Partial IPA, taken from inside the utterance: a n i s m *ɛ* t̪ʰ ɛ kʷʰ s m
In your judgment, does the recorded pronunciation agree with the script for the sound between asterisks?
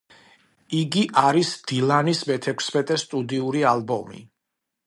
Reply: yes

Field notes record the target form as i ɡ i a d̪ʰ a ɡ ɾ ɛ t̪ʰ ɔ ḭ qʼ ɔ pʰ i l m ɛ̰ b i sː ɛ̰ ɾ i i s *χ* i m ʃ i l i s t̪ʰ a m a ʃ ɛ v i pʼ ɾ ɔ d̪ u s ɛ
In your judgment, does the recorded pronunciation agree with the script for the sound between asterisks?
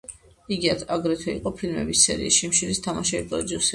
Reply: no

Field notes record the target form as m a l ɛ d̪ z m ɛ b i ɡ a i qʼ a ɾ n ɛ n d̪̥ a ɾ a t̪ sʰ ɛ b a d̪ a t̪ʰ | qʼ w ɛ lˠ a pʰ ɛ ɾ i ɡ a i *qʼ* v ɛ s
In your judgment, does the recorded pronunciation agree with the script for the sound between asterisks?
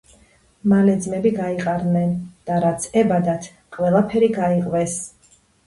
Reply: yes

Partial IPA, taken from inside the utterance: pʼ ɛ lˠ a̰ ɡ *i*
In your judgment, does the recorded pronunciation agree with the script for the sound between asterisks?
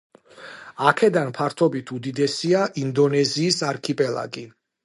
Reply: yes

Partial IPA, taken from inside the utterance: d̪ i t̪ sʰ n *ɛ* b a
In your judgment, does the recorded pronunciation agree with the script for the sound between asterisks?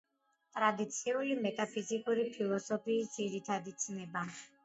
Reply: yes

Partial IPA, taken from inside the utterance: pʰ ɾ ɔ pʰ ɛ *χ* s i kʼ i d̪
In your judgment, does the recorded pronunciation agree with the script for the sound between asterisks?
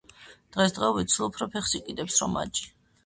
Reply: yes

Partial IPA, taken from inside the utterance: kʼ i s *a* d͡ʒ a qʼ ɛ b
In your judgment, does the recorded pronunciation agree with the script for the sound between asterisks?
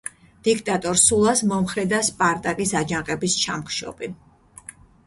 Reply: yes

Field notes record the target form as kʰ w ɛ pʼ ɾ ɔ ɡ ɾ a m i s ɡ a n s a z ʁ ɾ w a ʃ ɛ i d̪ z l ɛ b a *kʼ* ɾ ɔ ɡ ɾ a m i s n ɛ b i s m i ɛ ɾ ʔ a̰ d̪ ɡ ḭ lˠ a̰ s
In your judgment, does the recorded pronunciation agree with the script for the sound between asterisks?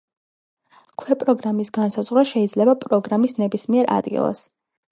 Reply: no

